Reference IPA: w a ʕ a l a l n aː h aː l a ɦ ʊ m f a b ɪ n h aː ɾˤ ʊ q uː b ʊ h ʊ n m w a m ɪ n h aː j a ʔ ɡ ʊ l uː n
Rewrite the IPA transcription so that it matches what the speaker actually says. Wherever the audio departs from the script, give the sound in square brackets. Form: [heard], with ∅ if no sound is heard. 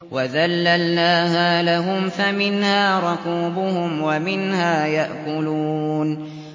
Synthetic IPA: w a [ð] a [lː] a l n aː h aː l a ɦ ʊ m f a [m] ɪ n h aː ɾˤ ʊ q uː b ʊ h ʊ [∅] m w a m ɪ n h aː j a ʔ [k] ʊ l uː n